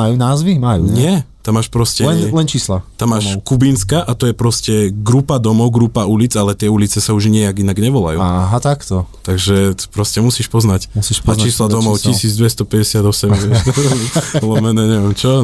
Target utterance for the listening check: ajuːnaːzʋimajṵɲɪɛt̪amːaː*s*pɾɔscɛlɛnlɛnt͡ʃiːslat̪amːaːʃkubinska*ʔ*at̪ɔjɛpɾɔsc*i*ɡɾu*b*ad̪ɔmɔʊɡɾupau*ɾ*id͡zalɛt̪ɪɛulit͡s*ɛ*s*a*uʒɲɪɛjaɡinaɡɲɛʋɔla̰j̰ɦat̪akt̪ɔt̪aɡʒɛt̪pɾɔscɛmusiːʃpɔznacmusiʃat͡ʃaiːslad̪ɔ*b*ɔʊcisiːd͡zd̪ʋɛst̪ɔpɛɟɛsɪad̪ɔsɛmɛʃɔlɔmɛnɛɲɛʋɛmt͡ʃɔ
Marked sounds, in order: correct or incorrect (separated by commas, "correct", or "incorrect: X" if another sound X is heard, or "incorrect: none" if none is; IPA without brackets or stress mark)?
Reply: incorrect: ʃ, correct, incorrect: ɛ, incorrect: p, incorrect: l, correct, correct, incorrect: m